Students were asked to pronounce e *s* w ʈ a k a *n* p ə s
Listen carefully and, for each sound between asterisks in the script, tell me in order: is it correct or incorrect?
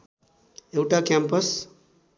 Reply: incorrect, incorrect

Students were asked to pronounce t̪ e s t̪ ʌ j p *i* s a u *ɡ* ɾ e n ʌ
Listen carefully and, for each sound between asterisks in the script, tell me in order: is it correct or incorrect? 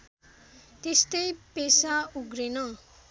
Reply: incorrect, correct

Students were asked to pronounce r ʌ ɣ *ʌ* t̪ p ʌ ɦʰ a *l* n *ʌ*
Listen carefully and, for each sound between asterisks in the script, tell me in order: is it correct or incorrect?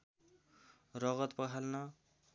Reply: correct, correct, correct

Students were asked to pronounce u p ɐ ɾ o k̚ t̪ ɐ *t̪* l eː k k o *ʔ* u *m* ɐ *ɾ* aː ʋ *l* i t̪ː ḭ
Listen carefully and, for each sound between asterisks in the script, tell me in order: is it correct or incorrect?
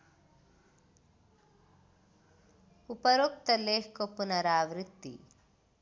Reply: incorrect, incorrect, incorrect, correct, incorrect

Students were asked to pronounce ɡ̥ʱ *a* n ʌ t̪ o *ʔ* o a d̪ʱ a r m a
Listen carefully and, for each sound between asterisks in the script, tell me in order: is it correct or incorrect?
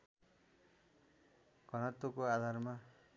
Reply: incorrect, incorrect

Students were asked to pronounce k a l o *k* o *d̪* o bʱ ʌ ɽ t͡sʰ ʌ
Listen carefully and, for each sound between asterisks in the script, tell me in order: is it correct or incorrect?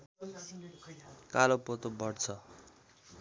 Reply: incorrect, incorrect

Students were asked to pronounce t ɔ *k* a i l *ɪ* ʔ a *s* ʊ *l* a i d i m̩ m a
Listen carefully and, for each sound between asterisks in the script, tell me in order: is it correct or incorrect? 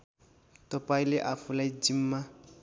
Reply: incorrect, correct, incorrect, correct

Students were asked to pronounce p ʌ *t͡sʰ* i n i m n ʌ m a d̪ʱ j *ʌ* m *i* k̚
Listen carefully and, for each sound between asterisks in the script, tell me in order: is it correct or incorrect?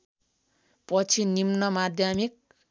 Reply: correct, incorrect, correct

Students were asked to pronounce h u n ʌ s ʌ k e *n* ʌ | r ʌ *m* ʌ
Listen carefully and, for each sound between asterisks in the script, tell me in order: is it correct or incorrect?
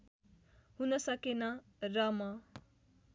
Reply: correct, correct

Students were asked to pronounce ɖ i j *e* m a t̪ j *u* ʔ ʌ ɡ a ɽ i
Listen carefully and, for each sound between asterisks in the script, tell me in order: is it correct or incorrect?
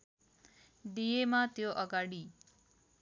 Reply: correct, incorrect

